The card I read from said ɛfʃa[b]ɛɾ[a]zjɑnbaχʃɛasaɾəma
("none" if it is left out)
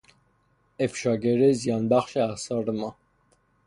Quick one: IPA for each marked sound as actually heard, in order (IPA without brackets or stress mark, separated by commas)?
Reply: ɡ, ɛ